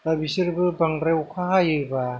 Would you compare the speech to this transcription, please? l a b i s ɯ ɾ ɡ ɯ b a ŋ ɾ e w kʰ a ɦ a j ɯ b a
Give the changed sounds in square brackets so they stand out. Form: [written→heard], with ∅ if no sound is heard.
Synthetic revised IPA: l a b i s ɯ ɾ [ɡ→b] ɯ b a ŋ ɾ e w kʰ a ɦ a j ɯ b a